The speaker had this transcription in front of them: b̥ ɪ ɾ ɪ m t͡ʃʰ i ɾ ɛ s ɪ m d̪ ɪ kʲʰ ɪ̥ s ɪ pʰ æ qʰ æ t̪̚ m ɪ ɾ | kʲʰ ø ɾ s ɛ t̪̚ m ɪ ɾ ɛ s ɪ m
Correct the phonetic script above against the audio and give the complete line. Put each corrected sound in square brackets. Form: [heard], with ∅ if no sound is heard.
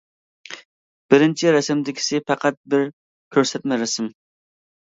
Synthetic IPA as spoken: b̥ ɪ ɾ ɪ [n] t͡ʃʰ i ɾ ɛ s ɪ m d̪ ɪ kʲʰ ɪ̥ s ɪ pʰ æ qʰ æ t̪̚ [b] ɪ ɾ | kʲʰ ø ɾ s ɛ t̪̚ m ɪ ɾ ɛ s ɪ m